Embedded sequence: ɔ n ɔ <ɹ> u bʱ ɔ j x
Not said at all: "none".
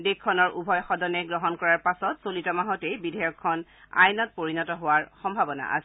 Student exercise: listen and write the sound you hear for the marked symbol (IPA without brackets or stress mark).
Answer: ɹ